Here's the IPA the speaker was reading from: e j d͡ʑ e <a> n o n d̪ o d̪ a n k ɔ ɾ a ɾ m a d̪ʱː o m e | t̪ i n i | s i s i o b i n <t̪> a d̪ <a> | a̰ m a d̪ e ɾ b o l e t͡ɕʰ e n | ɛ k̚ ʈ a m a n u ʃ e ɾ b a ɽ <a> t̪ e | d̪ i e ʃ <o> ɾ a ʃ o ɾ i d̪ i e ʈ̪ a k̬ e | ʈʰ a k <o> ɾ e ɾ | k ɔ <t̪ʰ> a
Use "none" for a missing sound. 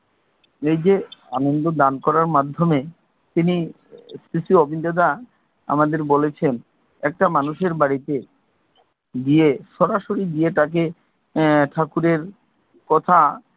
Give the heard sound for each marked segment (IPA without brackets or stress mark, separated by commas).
a, d̪, a, i, ɔ, u, t̪ʰ